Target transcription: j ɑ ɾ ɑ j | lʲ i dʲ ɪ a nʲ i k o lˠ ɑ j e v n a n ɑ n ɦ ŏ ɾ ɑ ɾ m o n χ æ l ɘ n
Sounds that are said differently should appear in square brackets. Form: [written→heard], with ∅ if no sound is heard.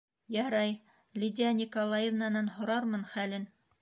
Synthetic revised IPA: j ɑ ɾ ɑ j | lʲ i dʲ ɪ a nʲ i k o lˠ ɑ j e v n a n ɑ n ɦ ŏ ɾ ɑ ɾ m [o→ɤ] n χ æ l ɘ n